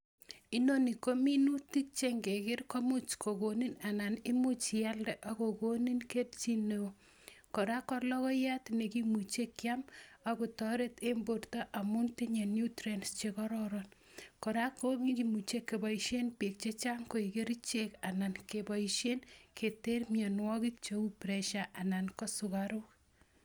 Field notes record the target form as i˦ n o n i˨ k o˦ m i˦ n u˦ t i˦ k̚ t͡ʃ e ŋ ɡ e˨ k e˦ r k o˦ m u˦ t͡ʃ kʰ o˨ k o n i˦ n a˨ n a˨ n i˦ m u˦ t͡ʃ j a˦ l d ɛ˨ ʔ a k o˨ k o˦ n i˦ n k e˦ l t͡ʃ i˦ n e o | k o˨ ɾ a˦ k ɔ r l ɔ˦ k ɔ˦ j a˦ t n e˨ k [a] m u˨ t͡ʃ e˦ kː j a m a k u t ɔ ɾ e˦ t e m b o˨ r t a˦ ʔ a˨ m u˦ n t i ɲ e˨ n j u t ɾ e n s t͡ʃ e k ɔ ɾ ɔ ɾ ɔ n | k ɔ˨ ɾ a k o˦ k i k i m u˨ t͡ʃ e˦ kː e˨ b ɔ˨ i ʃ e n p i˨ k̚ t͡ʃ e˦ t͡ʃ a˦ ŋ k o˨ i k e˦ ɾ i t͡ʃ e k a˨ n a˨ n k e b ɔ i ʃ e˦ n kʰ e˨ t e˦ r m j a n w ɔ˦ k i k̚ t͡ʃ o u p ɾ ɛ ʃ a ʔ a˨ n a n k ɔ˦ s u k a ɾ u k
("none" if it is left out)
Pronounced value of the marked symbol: i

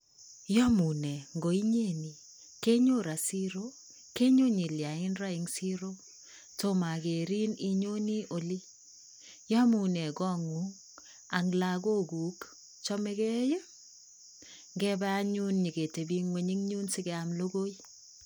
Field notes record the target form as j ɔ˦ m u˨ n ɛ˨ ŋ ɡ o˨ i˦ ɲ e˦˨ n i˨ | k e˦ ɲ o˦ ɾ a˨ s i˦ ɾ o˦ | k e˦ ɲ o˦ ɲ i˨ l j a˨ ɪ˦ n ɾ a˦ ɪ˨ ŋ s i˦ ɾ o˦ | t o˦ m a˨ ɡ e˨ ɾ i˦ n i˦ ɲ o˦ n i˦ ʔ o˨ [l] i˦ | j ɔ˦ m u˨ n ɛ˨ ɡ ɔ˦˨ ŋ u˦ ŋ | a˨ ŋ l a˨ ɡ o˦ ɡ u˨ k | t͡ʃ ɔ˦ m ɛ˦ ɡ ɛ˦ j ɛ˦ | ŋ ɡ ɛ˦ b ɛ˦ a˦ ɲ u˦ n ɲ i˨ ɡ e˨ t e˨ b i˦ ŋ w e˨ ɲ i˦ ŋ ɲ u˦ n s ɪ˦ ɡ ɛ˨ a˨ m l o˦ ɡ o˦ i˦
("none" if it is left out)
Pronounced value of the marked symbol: l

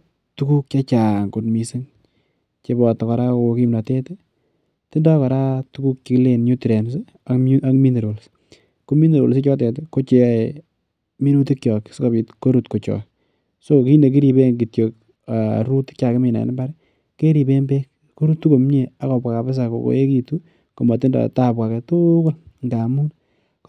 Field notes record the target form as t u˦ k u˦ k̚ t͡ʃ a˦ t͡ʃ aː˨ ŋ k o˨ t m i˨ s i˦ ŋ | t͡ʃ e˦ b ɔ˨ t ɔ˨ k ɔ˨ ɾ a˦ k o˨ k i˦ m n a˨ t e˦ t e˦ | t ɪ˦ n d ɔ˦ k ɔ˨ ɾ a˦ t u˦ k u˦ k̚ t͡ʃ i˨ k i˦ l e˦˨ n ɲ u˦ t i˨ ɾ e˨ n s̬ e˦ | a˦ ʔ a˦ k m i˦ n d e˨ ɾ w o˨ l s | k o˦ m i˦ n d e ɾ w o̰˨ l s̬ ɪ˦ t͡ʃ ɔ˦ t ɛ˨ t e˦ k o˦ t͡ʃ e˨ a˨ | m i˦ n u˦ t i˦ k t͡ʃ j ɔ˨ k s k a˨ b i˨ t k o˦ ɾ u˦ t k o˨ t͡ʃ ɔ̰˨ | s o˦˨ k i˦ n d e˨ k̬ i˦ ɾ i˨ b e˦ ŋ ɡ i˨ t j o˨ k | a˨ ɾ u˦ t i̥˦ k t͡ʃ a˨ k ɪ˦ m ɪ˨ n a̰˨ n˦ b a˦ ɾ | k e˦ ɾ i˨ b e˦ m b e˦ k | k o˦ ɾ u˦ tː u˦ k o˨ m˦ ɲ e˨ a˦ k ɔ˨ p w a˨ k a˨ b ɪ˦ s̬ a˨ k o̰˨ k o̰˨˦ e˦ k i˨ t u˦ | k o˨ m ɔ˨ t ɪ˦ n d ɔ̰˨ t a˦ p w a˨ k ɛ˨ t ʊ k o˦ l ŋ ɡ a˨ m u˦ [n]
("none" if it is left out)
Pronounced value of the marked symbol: n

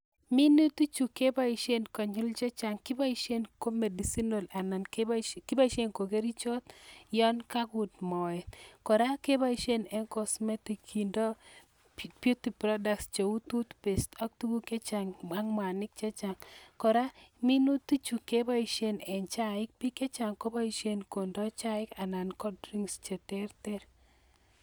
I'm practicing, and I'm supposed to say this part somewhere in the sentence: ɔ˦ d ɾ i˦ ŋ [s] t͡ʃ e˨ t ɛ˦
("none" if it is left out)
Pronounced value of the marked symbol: s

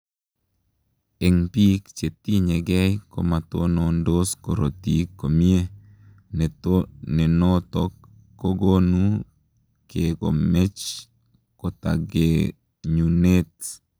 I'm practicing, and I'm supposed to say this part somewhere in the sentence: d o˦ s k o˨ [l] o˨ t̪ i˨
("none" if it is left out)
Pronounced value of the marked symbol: ɾ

